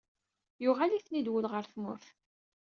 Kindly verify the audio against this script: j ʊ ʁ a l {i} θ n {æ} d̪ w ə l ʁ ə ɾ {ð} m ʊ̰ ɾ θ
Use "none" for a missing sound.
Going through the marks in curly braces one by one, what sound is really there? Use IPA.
i, i, θ

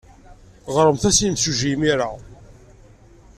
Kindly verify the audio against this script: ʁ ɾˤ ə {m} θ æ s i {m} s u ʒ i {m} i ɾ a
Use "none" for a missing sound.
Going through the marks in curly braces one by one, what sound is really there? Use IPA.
m, m, m

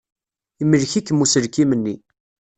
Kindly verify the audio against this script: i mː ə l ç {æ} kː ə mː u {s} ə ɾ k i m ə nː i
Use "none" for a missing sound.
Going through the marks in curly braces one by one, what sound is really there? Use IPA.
i, s

